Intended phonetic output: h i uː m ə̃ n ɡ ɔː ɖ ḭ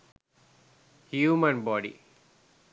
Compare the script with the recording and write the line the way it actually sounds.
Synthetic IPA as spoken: h j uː m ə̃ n b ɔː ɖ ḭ